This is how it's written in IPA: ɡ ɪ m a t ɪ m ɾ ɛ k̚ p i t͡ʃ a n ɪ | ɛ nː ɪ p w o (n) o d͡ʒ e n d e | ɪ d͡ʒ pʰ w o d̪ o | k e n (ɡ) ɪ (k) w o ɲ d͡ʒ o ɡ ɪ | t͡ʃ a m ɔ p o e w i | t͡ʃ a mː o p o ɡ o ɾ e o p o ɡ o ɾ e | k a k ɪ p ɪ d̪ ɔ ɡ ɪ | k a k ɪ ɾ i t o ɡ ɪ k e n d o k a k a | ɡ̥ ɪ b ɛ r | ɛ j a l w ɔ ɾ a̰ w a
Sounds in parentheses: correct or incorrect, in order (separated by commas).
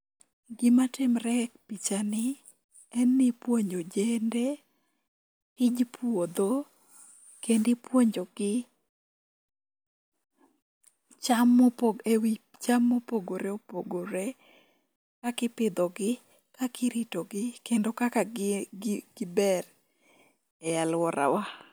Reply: incorrect, incorrect, incorrect